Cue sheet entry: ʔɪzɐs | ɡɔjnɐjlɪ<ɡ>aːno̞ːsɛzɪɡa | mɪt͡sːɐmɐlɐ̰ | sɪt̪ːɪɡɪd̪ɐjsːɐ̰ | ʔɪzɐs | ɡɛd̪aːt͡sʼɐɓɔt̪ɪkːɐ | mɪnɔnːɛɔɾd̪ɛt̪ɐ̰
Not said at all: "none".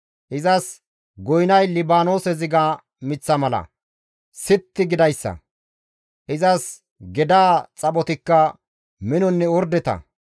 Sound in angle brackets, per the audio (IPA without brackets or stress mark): b